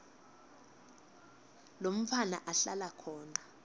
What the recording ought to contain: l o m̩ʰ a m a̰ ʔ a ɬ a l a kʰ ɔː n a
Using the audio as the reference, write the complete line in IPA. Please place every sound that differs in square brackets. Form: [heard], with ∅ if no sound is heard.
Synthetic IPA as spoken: l o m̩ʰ a [n] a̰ ʔ a ɬ a l a kʰ ɔː n a

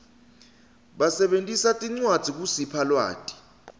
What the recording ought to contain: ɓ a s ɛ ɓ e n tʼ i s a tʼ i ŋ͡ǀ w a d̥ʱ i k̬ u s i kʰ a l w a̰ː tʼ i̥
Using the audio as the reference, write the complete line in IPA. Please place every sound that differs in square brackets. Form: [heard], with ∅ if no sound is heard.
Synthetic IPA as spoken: ɓ a s ɛ ɓ e n tʼ i s a tʼ i ŋ͡ǀ w a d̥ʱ i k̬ u s i [pʰ] a l w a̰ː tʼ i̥

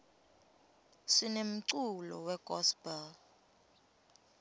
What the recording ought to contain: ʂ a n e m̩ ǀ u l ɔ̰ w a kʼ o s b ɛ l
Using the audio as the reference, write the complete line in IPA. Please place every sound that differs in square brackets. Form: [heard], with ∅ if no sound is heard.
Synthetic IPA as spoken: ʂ [i] n e m̩ ǀ u l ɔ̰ w [ɛ] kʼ [ɔ] s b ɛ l

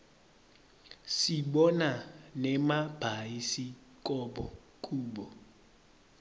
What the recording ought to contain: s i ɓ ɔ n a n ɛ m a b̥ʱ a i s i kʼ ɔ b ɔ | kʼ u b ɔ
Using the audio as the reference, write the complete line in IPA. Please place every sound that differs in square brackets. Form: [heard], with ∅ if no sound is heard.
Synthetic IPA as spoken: s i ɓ ɔ n a n ɛ m a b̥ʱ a i s i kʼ ɔ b ɔ | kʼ [uː] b ɔ

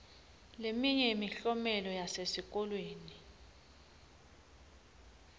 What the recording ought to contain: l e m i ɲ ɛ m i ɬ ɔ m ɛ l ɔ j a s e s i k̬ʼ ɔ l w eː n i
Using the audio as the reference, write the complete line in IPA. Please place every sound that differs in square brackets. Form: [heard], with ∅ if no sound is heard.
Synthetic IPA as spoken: l e m i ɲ ɛ m i ɬ ɔ m ɛ l ɔ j a s e s i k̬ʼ ɔ l w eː n i

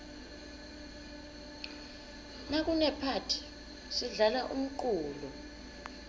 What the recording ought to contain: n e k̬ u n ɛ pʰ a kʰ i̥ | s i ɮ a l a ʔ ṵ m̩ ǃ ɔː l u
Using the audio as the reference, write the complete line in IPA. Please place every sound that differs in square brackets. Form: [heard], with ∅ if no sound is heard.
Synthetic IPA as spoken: n [a] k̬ u n ɛ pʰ a [tʰ] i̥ | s i ɮ a l a ʔ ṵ m̩ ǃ [uː] l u

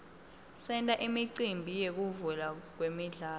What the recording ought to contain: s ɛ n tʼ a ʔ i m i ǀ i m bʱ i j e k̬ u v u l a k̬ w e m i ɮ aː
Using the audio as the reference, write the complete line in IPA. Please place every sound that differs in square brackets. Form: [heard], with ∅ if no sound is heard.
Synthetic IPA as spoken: s ɛ n tʼ a ʔ i m i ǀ i m bʱ i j e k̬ u v u l a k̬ w e m i ɮ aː

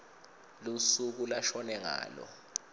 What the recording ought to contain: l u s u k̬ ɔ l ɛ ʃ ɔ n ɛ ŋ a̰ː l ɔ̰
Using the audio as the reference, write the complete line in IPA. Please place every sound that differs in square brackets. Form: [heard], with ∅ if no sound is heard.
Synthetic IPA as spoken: l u s u k̬ [u] l [a] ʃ ɔ n ɛ ŋ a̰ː l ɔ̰

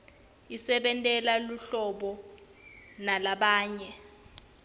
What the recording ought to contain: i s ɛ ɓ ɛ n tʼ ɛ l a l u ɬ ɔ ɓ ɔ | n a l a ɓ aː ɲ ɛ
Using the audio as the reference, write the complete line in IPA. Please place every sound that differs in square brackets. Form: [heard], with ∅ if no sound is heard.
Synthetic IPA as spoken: i s ɛ ɓ ɛ n tʼ ɛ l a l u ɬ ɔ ɓ ɔ | n a l a ɓ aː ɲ ɛ

